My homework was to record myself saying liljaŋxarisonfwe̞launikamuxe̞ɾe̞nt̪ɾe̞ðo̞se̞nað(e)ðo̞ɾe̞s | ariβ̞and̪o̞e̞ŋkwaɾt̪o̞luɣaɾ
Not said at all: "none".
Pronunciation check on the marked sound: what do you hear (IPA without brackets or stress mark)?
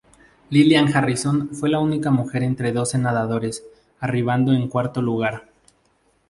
a